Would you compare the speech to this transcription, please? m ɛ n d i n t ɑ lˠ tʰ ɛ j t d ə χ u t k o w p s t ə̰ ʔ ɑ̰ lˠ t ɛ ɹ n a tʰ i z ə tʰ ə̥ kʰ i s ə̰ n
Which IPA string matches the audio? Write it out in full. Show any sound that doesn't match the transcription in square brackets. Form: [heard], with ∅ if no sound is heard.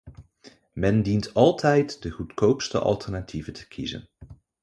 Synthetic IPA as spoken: m ɛ n d i n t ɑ lˠ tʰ ɛ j t d ə χ u t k o w p s t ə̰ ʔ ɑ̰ lˠ t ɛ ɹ n a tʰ i [v] ə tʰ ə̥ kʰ i [z] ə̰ n